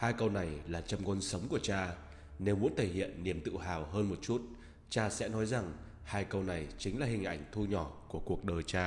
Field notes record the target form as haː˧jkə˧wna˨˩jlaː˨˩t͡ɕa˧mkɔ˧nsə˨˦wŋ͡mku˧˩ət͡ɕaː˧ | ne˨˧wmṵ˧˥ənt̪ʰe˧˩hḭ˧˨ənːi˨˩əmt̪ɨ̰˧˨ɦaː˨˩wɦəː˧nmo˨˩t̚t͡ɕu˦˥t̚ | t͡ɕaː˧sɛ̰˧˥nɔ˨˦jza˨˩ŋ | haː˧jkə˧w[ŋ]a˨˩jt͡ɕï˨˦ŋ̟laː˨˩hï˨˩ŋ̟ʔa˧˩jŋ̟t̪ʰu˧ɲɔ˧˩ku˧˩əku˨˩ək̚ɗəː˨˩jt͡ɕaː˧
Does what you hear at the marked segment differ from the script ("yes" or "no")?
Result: yes